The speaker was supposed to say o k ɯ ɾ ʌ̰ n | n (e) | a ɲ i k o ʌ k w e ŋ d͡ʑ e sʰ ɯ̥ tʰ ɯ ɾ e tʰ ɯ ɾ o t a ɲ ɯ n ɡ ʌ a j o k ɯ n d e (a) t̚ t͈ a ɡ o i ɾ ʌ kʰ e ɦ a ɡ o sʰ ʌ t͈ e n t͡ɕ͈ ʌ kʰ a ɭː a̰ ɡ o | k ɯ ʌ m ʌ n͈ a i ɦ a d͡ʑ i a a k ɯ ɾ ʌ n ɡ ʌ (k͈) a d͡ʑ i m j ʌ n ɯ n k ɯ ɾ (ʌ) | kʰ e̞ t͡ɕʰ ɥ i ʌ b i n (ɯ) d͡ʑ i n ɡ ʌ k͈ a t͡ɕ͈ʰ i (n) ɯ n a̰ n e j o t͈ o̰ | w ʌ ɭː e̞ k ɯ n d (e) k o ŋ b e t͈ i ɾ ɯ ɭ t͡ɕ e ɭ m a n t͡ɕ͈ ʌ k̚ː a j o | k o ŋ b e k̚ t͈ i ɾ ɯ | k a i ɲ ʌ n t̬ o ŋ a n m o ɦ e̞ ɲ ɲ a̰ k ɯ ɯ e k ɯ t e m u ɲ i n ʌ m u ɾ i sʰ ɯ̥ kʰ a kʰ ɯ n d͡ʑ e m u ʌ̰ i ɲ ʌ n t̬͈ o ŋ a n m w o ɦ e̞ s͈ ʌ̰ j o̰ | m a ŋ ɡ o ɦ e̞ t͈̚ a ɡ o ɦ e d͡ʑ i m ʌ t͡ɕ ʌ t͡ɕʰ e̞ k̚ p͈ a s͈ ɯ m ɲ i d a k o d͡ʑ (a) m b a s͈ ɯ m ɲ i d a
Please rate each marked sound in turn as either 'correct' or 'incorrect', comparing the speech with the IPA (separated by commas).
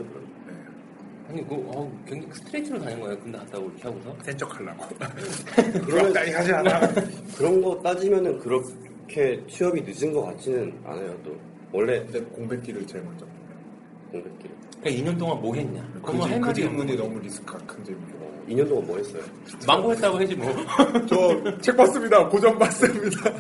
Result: correct, correct, incorrect, correct, correct, correct, correct, incorrect